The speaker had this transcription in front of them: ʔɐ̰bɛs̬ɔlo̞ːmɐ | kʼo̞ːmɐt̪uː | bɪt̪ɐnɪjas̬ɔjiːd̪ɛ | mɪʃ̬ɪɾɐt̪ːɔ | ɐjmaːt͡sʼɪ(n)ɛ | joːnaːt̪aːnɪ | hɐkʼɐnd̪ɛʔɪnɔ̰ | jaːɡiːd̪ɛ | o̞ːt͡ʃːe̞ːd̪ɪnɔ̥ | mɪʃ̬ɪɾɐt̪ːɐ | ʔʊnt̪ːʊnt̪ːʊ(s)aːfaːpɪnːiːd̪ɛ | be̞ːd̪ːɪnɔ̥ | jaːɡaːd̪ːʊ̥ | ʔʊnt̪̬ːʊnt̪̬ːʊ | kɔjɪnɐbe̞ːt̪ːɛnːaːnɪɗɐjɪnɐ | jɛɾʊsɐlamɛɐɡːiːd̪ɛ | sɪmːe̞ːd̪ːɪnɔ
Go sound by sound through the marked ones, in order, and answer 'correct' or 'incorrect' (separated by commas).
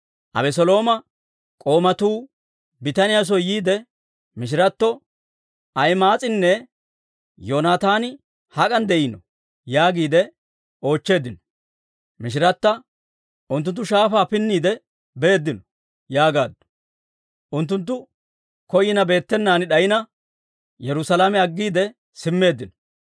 incorrect, incorrect